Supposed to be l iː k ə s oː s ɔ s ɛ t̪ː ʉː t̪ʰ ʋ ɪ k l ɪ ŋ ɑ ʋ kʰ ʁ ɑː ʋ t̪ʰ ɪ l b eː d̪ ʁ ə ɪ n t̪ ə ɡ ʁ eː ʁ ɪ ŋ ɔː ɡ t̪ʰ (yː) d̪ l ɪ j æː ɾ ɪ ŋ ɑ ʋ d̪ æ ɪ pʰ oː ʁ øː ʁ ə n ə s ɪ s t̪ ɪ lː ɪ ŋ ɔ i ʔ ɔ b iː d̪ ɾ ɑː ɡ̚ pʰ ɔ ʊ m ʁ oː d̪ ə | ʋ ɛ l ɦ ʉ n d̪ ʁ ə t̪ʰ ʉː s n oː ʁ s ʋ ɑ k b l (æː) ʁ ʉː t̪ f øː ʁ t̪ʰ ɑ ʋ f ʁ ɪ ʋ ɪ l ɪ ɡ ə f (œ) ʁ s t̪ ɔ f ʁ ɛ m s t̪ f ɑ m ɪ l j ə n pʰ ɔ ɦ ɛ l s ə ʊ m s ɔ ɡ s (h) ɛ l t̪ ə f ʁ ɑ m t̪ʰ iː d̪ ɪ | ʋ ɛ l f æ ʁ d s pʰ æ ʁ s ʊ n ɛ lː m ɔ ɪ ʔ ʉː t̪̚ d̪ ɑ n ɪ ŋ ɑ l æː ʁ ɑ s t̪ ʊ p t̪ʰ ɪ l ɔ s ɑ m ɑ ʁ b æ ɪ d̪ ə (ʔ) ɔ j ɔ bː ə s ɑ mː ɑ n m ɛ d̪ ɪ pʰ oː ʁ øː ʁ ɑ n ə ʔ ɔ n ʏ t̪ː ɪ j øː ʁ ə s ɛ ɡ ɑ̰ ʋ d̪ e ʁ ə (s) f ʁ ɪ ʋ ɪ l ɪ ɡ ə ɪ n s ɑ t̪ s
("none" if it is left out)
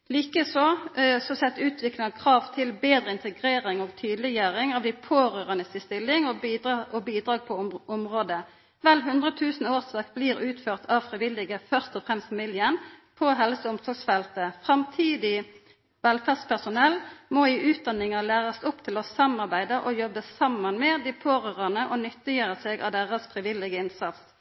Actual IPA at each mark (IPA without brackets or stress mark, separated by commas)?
yː, iː, œ, f, ʔ, s